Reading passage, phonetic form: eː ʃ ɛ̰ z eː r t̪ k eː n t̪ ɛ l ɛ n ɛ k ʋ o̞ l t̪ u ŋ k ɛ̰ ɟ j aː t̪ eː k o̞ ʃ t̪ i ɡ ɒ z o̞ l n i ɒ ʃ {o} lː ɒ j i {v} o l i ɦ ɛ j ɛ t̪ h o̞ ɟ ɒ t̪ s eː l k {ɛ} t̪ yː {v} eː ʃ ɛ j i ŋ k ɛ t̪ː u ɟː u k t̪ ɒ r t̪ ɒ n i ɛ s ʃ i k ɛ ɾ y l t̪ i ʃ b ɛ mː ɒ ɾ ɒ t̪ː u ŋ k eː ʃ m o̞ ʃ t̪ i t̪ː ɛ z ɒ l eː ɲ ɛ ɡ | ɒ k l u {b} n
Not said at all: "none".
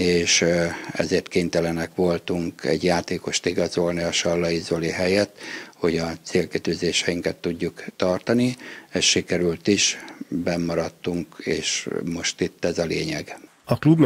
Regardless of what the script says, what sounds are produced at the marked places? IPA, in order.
ɒ, z, i, z, b

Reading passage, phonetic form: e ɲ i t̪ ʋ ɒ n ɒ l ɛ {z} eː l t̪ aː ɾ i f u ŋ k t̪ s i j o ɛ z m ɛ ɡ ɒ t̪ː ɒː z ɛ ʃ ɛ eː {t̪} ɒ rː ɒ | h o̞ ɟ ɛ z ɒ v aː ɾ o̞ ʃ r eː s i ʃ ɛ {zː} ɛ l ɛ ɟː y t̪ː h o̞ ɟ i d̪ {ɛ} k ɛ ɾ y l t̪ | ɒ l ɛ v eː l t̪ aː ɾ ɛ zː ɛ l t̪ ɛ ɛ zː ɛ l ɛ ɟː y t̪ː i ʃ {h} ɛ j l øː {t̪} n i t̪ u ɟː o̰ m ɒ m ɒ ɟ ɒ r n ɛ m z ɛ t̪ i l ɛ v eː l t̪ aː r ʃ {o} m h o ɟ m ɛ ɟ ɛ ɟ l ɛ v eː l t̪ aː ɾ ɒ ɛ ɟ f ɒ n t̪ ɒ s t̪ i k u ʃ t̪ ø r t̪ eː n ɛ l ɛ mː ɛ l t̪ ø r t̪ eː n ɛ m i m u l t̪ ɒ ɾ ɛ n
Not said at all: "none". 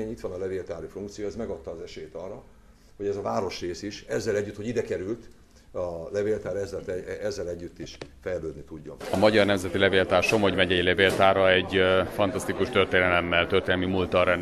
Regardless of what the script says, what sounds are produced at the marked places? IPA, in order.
v, t̪, zː, ɛ, f, d̪, o

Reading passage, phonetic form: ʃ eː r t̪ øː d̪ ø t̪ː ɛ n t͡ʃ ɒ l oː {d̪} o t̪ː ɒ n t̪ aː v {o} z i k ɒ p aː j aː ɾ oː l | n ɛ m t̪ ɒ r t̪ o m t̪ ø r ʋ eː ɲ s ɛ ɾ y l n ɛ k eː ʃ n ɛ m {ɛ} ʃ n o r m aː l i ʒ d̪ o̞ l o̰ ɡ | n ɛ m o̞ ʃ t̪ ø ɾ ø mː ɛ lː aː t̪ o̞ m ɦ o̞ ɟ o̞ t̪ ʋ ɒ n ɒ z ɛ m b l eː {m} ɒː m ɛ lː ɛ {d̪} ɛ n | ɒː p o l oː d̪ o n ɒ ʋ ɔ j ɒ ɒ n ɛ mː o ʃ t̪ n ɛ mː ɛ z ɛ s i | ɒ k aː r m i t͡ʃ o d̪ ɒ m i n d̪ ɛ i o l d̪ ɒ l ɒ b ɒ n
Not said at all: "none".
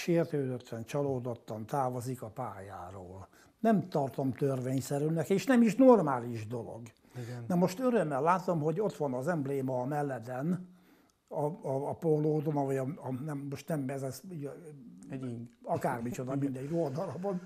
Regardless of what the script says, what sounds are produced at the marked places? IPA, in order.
d̪, o, i, m, d̪

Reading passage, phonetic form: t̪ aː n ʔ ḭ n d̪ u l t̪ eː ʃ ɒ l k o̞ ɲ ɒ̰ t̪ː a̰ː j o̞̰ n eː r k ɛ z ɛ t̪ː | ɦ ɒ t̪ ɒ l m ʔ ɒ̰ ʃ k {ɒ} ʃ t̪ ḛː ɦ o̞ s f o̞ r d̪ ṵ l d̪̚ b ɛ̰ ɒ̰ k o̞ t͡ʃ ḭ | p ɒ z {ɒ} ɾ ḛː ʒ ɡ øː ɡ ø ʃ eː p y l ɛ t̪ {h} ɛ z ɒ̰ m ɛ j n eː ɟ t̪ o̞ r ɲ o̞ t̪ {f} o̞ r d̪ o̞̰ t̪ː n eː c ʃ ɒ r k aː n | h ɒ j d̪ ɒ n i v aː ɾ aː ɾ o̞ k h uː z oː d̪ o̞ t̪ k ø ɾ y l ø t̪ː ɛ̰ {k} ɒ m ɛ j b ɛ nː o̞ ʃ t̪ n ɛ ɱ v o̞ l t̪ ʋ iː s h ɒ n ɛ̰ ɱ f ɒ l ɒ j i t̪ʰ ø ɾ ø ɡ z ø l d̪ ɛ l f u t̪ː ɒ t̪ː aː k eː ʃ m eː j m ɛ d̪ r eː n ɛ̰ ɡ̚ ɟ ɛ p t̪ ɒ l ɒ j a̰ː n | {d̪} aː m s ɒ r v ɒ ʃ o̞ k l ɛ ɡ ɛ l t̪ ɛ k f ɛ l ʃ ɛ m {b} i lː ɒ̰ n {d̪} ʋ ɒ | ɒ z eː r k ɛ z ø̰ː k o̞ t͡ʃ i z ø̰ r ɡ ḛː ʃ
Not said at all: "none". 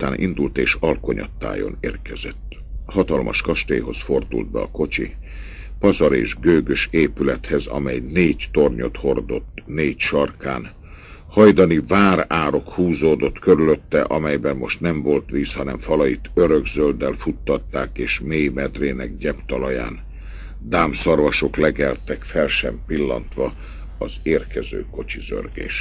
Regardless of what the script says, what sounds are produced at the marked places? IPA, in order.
ɒ, ɒ, h, h, ʔ, d̪, p, t̪

